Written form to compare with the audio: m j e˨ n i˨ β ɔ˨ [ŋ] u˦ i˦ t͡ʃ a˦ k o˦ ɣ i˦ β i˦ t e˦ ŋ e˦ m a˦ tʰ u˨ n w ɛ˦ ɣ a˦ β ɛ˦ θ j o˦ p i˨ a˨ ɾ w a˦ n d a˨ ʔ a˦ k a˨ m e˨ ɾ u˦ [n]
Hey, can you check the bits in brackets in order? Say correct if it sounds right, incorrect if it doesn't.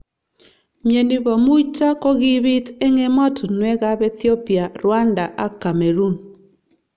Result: incorrect: m, correct

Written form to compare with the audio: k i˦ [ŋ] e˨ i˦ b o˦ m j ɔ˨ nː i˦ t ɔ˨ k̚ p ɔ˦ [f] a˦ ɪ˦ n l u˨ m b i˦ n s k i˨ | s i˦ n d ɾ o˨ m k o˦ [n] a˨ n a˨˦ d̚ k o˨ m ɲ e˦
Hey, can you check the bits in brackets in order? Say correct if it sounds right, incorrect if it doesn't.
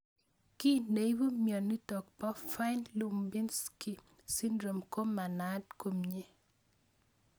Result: incorrect: n, correct, incorrect: m

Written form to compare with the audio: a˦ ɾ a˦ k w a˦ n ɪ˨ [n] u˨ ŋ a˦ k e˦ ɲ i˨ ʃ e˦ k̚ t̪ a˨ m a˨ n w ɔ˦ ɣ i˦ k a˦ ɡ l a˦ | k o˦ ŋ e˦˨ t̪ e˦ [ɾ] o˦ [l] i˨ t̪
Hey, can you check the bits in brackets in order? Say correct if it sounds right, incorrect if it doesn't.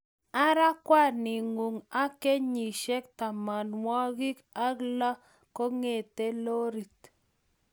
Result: incorrect: ŋ, incorrect: l, incorrect: ɾ

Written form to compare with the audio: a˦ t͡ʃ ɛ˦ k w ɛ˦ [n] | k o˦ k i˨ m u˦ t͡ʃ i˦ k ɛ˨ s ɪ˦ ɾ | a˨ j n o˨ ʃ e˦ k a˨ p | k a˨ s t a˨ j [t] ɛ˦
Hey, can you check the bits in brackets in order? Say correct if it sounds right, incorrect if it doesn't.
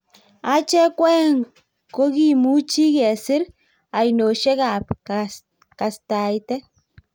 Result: incorrect: ŋ, correct

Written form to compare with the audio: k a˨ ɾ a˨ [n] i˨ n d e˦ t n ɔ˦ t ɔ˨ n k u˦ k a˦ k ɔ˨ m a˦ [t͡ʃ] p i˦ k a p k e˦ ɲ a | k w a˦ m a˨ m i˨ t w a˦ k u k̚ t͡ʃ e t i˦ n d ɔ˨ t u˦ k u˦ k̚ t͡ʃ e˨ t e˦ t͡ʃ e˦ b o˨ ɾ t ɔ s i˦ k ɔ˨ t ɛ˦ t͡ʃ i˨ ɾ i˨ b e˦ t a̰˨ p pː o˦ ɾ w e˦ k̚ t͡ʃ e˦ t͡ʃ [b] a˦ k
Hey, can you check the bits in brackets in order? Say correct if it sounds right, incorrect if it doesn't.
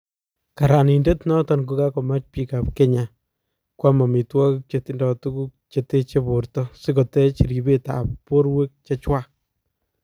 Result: correct, correct, incorrect: w

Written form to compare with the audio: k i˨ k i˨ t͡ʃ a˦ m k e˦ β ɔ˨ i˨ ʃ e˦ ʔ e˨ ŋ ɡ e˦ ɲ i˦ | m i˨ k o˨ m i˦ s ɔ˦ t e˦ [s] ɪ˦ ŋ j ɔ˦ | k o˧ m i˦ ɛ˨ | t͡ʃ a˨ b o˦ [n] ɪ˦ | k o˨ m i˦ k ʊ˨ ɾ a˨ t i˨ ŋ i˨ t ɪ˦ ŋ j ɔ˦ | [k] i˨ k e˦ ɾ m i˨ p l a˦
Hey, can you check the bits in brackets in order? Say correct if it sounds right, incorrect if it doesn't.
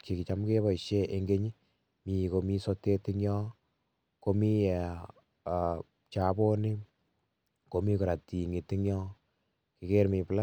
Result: incorrect: t, correct, correct

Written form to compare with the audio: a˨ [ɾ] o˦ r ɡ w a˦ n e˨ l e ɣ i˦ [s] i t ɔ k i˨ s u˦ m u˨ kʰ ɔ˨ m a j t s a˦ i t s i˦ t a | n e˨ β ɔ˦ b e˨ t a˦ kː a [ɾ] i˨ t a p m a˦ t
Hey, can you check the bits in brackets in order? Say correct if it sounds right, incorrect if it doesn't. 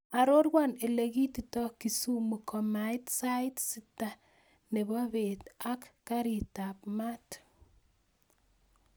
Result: correct, incorrect: t, correct

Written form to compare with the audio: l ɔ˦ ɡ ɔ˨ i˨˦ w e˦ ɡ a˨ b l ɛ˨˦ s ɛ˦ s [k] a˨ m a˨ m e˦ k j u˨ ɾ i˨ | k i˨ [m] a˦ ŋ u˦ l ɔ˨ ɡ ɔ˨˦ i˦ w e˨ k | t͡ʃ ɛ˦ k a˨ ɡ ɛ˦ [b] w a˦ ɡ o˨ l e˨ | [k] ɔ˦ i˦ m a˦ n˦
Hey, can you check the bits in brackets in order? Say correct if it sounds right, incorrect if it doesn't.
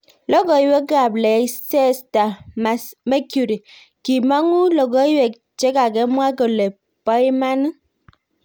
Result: incorrect: t, correct, incorrect: m, incorrect: p

